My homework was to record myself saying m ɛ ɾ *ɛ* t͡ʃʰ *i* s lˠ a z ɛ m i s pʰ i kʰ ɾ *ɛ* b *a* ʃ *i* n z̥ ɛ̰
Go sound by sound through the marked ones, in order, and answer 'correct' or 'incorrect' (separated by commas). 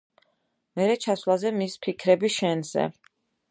correct, incorrect, correct, incorrect, incorrect